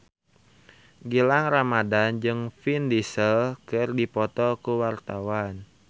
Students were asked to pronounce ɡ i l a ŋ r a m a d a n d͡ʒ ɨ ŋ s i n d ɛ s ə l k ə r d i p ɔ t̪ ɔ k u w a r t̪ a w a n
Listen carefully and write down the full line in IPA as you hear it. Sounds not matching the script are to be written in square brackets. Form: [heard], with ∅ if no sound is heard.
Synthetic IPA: ɡ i l a ŋ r a m a d a n d͡ʒ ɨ ŋ [f] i n d [i] s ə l k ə r d i p ɔ t̪ ɔ k u w a r t̪ a w a n